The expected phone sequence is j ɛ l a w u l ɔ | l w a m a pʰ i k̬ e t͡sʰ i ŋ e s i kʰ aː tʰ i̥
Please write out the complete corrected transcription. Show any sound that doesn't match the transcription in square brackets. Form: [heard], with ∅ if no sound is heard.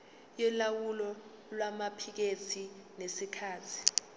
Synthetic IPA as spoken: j ɛ l a w u l ɔ | l w a m a pʰ i k̬ e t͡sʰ i [n] e s i kʰ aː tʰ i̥